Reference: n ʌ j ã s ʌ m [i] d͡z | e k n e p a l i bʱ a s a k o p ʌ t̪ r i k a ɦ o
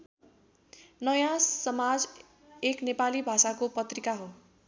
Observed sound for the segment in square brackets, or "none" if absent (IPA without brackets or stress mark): a